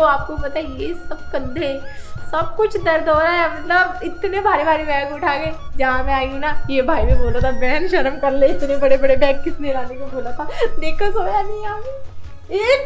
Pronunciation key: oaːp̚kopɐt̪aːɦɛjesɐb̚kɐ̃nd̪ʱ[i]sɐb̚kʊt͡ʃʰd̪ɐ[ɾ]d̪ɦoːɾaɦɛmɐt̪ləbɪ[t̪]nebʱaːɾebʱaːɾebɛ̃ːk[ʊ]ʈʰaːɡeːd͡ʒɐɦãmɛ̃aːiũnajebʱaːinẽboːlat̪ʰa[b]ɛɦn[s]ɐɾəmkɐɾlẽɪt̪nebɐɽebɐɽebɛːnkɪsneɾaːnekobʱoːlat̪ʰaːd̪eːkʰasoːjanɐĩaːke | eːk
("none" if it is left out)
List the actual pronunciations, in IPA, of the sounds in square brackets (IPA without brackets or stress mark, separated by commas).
e, ɾ, t̪, ʊ, b, ʃ